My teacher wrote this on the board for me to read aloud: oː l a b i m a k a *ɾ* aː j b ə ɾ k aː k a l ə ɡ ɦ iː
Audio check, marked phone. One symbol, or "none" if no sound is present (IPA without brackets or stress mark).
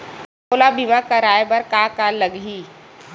ɾ